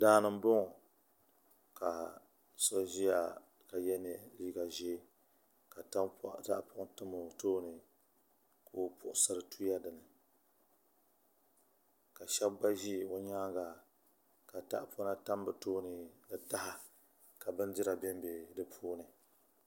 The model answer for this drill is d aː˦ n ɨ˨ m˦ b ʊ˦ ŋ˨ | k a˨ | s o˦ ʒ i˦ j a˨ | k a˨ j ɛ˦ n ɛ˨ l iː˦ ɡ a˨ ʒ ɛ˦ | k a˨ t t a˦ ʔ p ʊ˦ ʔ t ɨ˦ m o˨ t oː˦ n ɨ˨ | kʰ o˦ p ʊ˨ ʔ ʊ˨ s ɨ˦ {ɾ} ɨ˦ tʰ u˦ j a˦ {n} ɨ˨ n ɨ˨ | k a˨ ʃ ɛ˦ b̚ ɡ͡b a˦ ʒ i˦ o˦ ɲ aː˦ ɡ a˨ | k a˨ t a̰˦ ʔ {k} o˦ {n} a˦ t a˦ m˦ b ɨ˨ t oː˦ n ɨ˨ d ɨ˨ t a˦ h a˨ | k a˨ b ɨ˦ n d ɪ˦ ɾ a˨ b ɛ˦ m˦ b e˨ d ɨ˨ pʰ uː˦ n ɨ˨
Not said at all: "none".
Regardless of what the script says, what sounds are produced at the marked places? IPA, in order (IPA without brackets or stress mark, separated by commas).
ɾ, d, p, n